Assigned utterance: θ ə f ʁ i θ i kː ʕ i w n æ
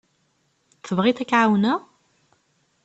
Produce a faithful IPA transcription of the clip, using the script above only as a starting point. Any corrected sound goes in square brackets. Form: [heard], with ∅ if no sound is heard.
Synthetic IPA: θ ə [v] ʁ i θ [æ] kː ʕ [a] w n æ